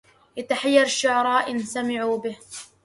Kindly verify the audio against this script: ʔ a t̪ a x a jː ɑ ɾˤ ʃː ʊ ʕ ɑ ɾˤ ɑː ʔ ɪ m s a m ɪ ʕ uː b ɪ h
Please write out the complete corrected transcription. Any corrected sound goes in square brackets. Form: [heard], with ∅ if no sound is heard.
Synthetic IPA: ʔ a t̪ a [ħ] a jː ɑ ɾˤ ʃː ʊ ʕ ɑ ɾˤ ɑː ʔ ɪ [n] s a m ɪ ʕ uː b ɪ h